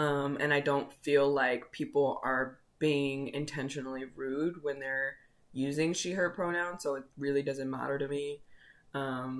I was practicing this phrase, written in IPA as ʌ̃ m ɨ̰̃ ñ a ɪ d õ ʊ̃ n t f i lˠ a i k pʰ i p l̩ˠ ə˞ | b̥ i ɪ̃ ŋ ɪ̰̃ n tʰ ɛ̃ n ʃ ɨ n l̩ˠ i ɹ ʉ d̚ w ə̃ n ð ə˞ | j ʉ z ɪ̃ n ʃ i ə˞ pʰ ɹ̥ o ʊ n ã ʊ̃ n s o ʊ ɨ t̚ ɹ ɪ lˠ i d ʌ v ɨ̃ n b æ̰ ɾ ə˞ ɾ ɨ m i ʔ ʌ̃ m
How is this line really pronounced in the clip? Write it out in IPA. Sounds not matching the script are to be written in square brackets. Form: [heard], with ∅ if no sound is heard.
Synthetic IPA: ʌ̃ m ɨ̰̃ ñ a ɪ d õ ʊ̃ n t f i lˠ a [ɪ] k pʰ i p l̩ˠ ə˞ | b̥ i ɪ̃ ŋ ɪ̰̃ n tʰ ɛ̃ n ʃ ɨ n l̩ˠ i ɹ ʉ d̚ w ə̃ n ð ə˞ | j ʉ z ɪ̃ [ŋ] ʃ i ə˞ pʰ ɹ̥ o ʊ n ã ʊ̃ n s o ʊ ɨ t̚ ɹ ɪ lˠ i d ʌ [z] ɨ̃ n [m] æ̰ ɾ ə˞ ɾ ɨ m i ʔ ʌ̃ m